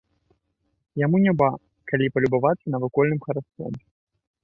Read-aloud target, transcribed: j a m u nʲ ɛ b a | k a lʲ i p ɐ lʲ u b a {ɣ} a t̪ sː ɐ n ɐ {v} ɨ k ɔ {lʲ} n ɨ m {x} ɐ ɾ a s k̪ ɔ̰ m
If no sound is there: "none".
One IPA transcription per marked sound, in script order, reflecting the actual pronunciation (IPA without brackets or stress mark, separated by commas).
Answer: v, v, lʲ, x